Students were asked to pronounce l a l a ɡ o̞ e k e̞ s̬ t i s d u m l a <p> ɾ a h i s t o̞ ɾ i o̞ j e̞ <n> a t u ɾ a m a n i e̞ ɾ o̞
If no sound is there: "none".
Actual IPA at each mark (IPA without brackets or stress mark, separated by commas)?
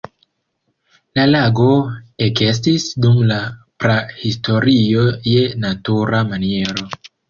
p, n